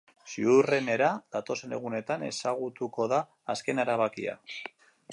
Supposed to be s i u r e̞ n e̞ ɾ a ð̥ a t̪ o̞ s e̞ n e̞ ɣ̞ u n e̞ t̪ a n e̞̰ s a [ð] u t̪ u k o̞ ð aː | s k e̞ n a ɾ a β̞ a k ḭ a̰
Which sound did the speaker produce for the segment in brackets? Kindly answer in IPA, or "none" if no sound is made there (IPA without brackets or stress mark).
ɣ